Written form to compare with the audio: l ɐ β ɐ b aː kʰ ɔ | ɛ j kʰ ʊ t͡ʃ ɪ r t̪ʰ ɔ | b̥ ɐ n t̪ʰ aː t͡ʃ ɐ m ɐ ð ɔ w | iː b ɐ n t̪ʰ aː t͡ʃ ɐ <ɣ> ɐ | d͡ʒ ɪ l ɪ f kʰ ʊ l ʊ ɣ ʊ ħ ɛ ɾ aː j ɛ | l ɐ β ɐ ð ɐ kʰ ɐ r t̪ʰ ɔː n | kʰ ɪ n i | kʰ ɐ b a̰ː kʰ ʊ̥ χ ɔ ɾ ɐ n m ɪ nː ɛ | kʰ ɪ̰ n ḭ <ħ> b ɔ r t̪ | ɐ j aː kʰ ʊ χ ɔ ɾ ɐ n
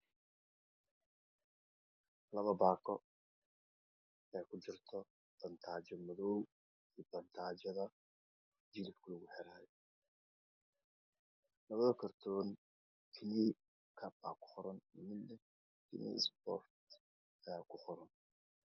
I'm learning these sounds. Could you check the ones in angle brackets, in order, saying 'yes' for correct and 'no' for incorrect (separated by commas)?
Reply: no, no